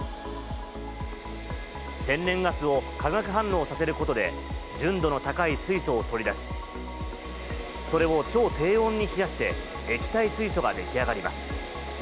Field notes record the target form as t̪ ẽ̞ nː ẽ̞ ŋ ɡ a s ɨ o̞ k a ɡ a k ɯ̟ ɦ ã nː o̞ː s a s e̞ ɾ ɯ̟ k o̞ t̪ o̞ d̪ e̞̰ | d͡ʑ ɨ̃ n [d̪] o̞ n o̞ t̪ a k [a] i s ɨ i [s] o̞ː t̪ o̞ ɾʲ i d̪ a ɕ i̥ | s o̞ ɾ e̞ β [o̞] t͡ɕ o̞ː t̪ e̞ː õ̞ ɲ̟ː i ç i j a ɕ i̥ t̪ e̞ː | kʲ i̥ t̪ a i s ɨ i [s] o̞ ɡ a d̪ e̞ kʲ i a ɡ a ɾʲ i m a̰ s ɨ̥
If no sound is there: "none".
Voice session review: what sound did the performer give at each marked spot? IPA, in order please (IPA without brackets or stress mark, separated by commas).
d̪, a, s, o̞, s